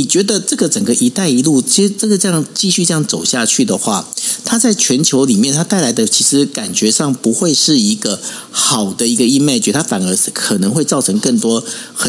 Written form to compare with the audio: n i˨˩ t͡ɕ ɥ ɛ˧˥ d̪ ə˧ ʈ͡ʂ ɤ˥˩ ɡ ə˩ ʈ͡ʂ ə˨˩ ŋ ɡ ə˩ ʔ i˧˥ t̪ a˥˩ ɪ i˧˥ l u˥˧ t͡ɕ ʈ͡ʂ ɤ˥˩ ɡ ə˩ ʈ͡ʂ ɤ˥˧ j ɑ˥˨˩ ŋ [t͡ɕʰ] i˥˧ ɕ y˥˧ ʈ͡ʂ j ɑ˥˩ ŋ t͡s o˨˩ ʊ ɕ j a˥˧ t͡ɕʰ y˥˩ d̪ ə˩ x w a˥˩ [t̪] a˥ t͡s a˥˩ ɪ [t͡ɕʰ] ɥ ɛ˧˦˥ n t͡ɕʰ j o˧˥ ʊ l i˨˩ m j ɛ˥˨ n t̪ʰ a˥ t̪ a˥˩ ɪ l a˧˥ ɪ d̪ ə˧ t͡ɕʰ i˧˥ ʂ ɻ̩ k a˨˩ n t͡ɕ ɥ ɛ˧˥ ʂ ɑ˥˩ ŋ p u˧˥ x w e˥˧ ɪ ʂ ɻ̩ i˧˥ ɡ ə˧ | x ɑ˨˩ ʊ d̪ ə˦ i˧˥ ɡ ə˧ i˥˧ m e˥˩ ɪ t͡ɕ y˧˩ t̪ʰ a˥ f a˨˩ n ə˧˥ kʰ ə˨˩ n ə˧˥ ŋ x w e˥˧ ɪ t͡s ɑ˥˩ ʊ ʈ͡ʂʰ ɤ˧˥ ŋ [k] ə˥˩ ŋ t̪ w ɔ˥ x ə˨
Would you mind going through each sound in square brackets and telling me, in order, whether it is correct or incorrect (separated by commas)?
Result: incorrect, incorrect, correct, correct